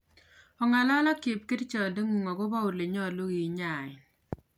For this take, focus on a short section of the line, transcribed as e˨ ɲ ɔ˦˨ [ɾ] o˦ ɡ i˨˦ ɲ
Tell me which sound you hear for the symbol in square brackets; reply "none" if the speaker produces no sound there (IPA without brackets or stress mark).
l